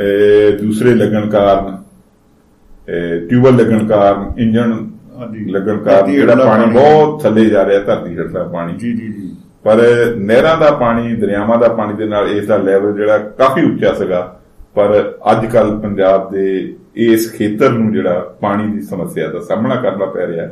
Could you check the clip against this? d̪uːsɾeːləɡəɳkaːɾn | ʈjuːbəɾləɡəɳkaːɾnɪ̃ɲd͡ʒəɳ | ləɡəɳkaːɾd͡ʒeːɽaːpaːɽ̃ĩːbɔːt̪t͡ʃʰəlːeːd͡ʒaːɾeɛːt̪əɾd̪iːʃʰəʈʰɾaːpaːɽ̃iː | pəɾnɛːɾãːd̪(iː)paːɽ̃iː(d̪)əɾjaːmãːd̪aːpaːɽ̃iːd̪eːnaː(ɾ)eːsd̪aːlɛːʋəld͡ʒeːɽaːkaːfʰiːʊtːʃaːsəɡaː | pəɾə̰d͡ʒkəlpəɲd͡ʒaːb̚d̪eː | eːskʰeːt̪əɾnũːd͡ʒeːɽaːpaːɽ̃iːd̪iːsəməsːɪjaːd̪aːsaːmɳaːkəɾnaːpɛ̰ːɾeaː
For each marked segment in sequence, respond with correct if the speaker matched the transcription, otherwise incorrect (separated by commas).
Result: incorrect, correct, incorrect